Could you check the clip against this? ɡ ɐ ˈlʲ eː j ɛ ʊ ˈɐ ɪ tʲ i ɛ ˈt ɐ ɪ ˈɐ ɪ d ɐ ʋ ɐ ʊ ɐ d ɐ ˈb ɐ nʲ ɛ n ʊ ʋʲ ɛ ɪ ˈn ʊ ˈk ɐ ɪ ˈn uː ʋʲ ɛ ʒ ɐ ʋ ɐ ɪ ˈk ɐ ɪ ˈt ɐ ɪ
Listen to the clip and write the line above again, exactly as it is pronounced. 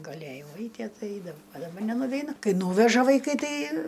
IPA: ɡ ɐ ˈlʲ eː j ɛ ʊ ˈɐ ɪ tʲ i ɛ ˈt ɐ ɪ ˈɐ ɪ d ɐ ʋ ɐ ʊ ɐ d ɐ ˈb ɐ nʲ ɛ n ʊ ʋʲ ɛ ɪ ˈn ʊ ˈk ɐ ɪ ˈn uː ʋʲ ɛ ʒ ɐ ʋ ɐ ɪ ˈk ɐ ɪ ˈt ɐ ɪ